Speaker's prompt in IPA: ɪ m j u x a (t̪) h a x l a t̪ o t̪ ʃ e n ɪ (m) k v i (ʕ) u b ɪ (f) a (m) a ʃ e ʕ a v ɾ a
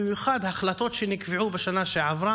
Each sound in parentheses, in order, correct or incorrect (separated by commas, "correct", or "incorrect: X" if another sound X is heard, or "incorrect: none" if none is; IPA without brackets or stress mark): incorrect: d̪, incorrect: none, correct, incorrect: ʃ, incorrect: n